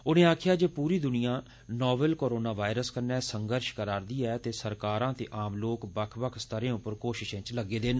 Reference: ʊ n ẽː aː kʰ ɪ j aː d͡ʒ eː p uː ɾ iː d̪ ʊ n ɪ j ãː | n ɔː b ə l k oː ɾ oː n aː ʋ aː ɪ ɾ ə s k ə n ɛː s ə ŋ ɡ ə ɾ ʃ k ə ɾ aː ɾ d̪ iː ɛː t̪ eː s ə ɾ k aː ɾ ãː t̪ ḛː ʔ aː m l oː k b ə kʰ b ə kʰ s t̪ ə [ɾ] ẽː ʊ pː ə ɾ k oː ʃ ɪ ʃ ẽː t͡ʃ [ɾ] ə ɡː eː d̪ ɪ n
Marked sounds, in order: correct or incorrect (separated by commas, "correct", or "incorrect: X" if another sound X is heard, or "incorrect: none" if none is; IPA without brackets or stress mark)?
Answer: correct, incorrect: l